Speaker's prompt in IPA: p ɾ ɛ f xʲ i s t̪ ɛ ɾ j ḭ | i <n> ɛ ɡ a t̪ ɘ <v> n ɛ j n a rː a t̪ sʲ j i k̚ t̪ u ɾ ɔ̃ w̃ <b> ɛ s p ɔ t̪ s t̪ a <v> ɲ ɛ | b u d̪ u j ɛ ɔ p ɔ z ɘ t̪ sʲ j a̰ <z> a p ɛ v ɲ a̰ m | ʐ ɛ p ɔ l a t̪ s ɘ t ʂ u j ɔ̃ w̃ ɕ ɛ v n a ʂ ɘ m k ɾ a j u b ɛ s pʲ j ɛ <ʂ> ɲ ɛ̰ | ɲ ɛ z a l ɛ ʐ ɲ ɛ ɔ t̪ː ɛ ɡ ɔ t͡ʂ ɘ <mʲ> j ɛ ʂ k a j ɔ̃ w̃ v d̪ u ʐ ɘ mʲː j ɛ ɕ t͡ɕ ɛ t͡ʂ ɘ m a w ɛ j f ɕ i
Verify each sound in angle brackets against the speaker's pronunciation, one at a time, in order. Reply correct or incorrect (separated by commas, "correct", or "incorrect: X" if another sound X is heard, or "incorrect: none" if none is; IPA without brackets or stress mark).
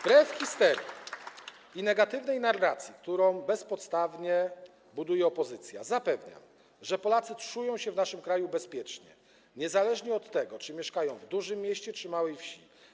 correct, correct, correct, correct, correct, incorrect: t͡ʂ, correct